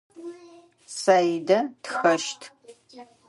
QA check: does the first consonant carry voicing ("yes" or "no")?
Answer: no